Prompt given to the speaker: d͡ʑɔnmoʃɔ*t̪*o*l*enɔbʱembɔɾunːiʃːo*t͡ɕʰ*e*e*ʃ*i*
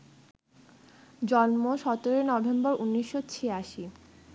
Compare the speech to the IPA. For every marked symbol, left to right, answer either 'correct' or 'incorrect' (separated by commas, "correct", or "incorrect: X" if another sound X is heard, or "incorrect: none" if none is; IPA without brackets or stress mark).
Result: correct, incorrect: ɾ, correct, incorrect: a, correct